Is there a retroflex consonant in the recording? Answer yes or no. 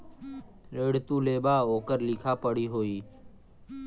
yes